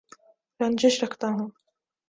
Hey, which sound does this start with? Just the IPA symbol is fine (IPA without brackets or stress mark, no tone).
ɾ